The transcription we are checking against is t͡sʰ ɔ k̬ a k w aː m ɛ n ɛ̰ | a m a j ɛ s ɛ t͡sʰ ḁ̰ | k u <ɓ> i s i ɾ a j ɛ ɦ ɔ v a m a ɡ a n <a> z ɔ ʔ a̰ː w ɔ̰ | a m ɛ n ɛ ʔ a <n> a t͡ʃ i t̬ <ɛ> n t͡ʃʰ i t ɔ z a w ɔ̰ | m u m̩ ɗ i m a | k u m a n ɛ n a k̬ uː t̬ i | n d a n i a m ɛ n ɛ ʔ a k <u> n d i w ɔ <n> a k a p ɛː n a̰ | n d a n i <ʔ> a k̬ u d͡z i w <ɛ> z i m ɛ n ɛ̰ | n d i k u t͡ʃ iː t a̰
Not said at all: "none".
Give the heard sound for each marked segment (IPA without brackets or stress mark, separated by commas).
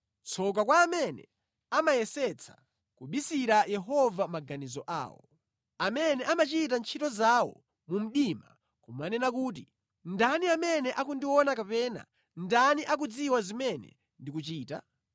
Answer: ɓ, i, m, a, u, n, ʔ, a